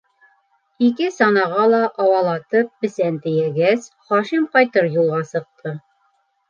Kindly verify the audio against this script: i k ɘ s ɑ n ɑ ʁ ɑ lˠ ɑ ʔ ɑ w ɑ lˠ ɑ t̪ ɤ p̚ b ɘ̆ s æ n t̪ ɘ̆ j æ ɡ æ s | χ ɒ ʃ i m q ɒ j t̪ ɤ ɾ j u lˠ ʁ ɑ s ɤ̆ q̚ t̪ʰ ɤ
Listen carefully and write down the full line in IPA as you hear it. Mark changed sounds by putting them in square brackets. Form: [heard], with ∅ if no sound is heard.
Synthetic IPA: i k ɘ s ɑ n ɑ ʁ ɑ lˠ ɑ ʔ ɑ w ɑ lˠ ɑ t̪ ɤ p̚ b ɘ̆ s æ n t̪ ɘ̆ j æ ɡ æ s | χ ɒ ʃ i m q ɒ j t̪ ɤ ɾ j u lˠ ʁ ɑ s ɤ̆ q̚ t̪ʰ ɤ